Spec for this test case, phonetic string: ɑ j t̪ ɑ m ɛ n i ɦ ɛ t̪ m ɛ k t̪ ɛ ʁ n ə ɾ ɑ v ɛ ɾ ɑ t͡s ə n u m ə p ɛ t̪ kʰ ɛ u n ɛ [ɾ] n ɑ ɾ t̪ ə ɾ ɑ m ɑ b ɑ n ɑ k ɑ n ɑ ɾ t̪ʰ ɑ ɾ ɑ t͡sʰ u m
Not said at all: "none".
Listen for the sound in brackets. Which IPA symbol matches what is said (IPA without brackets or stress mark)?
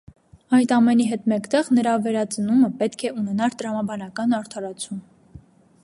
none